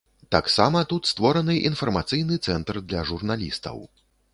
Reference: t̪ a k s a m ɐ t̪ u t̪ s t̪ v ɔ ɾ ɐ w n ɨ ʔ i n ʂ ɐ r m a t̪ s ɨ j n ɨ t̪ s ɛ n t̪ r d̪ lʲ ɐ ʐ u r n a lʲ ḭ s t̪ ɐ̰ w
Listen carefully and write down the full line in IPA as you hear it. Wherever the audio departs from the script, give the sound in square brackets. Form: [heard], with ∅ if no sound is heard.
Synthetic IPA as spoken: t̪ a k s a m ɐ t̪ u t̪ s t̪ v ɔ ɾ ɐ [∅] n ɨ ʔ i n [f] ɐ r m a t̪ s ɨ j n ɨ t̪ s ɛ n t̪ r d̪ lʲ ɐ ʐ u r n a lʲ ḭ s t̪ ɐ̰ w